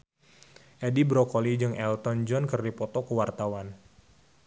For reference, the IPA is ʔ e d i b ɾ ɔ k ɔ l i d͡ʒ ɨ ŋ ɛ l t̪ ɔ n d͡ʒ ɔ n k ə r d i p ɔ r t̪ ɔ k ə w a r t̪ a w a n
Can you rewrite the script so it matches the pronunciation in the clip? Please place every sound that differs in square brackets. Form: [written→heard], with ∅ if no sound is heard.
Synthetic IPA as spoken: ʔ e d i b ɾ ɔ k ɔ l i d͡ʒ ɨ ŋ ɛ l t̪ ɔ n d͡ʒ ɔ n k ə r d i p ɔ [r→∅] t̪ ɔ k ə w a r t̪ a w a n

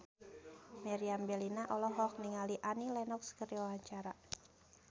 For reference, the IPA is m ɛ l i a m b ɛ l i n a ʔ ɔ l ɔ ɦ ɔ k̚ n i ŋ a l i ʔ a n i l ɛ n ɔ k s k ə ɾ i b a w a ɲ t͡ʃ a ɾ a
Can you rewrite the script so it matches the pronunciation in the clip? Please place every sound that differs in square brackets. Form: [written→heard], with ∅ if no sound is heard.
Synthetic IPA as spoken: m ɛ [l→ɾ] i a m b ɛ l i n a ʔ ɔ l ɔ ɦ ɔ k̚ n i ŋ a l i ʔ a n i l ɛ n ɔ k s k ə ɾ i [b→w] a w a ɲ t͡ʃ a ɾ a

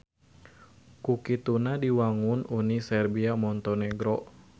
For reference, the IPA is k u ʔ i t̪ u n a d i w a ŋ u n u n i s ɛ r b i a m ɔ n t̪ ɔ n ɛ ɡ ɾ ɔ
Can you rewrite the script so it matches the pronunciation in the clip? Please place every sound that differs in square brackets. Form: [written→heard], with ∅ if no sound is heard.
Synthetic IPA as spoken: k u [ʔ→k] i t̪ u n a d i w a ŋ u n u n i s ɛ r b i a m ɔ n t̪ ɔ n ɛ ɡ ɾ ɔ

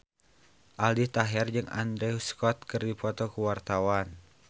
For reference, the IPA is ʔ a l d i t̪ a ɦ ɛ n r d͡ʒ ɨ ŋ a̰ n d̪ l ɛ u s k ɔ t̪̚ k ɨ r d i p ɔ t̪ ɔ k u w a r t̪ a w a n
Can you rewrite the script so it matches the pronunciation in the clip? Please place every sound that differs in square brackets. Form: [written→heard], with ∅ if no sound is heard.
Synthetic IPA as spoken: ʔ a l d i t̪ a ɦ ɛ [n→∅] r d͡ʒ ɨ ŋ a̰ n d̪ [l→ɾ] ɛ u s k ɔ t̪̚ k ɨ r d i p ɔ t̪ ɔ k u w a r t̪ a w a n

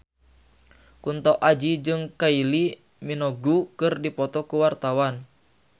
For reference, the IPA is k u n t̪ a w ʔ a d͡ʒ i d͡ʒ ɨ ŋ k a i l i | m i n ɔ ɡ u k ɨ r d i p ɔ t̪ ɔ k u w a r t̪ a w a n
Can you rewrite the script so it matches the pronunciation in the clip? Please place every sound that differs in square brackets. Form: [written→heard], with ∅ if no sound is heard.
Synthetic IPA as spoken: k u n t̪ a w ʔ a d͡ʒ i d͡ʒ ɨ ŋ k a i l i | m i n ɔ ɡ u k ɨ r d i p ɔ t̪ ɔ k u w a r t̪ a w a n

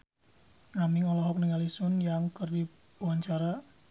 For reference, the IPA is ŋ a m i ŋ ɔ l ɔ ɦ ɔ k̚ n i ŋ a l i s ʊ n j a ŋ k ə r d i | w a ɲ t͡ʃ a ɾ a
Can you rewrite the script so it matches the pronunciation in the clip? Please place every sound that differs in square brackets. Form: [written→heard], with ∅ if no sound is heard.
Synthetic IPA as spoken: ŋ a m i ŋ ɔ l ɔ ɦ ɔ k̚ n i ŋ a l i s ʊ n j a ŋ k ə r d i | w a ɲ t͡ʃ a ɾ a

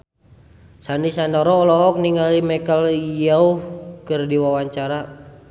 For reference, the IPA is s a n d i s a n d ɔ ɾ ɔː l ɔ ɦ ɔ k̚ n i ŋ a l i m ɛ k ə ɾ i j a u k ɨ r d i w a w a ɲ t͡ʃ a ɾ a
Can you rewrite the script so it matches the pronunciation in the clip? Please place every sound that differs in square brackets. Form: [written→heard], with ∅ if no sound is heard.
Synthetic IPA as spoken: s a n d i s a n d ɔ ɾ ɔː l ɔ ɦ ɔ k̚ n i ŋ a l i m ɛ k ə [ɾ→l] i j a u k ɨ r d i w a w a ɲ t͡ʃ a ɾ a

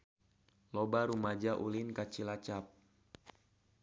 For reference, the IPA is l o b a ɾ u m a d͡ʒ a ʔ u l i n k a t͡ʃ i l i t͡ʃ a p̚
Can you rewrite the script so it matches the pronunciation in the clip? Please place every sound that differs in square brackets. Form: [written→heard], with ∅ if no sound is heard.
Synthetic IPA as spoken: l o b a ɾ u m a d͡ʒ a ʔ u l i n k a t͡ʃ i l [i→a] t͡ʃ a p̚

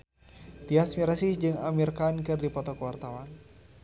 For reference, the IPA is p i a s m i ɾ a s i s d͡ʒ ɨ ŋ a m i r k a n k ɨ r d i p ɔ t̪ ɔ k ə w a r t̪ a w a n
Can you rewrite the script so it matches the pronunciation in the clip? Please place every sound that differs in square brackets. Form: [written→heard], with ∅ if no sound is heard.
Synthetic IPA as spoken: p i a s m i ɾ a s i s d͡ʒ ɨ ŋ a m i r k a n k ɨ r d i p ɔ t̪ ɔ k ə w a r t̪ a w a n

